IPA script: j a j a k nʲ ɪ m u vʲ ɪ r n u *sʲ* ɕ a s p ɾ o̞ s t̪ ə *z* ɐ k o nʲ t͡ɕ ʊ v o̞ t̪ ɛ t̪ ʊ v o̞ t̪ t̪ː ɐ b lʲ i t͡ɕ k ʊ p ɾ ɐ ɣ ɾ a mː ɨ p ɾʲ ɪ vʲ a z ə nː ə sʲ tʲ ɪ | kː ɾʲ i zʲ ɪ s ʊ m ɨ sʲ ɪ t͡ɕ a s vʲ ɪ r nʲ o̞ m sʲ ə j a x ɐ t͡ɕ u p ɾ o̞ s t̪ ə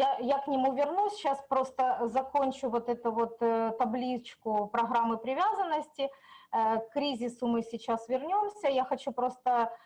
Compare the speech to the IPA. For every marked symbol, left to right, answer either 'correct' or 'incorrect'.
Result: correct, correct

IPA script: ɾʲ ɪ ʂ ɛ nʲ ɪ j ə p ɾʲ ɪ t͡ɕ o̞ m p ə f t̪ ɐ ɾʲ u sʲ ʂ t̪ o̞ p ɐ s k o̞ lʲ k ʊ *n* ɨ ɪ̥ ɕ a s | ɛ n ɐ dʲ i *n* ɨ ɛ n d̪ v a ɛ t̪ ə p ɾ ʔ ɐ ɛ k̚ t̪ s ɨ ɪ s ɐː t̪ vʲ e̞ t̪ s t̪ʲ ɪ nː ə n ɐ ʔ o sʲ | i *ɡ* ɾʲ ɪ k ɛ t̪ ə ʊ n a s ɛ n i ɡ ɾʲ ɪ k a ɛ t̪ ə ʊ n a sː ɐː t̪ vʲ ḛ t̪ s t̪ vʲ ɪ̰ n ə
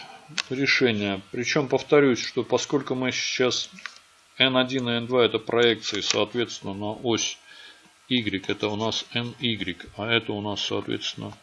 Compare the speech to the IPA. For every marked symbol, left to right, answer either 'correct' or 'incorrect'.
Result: incorrect, correct, correct

